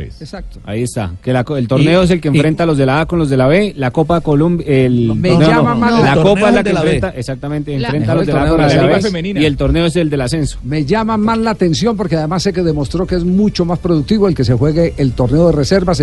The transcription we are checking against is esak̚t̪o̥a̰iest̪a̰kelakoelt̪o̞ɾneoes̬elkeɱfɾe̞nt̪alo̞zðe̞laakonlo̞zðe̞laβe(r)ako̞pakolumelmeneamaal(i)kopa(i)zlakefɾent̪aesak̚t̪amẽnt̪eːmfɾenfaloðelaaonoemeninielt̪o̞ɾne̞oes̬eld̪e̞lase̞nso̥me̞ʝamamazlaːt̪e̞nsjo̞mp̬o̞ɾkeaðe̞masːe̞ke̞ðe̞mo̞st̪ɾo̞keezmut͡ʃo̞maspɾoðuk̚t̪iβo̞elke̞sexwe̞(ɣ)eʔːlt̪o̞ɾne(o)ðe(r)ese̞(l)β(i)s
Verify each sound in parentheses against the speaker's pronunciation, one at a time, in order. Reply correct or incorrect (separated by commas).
incorrect, incorrect, incorrect, correct, correct, correct, incorrect, incorrect